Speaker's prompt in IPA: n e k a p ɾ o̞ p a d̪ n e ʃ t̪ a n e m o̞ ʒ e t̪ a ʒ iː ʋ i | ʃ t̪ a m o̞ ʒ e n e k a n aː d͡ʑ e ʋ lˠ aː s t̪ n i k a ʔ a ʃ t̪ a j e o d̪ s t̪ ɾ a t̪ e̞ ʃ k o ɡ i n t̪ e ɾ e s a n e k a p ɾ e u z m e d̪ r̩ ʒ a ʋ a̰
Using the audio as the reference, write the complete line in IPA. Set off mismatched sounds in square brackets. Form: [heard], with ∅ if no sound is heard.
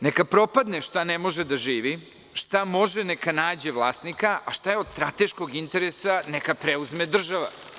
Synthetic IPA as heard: n e k a p ɾ o̞ p a d̪ n e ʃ t̪ a n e m o̞ ʒ e [d̪] a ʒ iː ʋ i | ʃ t̪ a m o̞ ʒ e n e k a n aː d͡ʑ e ʋ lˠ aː s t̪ n i k a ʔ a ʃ t̪ a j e o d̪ s t̪ ɾ a t̪ e̞ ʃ k o ɡ i n t̪ e ɾ e s a n e k a p ɾ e u z m e d̪ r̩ ʒ a ʋ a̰

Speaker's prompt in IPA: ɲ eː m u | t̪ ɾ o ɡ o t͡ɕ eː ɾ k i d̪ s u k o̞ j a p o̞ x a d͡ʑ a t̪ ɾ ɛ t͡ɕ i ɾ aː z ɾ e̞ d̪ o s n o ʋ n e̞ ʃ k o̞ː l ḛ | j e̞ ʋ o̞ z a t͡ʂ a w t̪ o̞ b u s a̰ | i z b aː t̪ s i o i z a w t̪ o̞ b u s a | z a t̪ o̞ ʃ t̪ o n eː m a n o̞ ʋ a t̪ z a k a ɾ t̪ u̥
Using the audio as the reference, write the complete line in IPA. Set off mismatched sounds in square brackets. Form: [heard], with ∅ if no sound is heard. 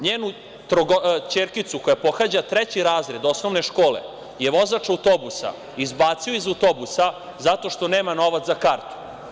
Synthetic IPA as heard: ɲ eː [n] u | t̪ ɾ o ɡ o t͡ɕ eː ɾ k i [t̪] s u k o̞ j a p o̞ x a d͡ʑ a t̪ ɾ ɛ t͡ɕ i ɾ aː z ɾ e̞ d̪ o s n o ʋ n e̞ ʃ k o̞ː l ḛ | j e̞ ʋ o̞ z a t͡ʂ a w t̪ o̞ b u s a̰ | i z b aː t̪ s i o i z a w t̪ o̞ b u s a | z a t̪ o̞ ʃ t̪ o n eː m a n o̞ ʋ a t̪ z a k a ɾ t̪ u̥

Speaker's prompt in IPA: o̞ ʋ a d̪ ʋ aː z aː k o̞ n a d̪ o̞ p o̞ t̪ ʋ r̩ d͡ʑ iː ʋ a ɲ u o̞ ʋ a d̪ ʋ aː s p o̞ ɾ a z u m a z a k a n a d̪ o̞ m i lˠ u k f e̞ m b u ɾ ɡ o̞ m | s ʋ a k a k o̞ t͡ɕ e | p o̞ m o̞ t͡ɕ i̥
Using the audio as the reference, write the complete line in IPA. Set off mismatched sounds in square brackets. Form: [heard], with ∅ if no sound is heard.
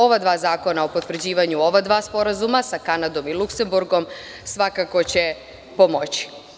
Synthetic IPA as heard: o̞ ʋ a d̪ ʋ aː z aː k o̞ n a [∅] o̞ p o̞ t̪ ʋ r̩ d͡ʑ iː ʋ a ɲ u o̞ ʋ a d̪ ʋ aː s p o̞ ɾ a z u m a [s] a k a n a d̪ o̞ m i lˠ u k [s] e̞ m b u ɾ ɡ o̞ m | s ʋ a k a k o̞ t͡ɕ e | p o̞ m o̞ t͡ɕ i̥

